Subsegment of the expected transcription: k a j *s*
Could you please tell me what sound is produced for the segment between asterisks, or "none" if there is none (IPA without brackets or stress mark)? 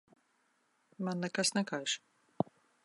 ʃ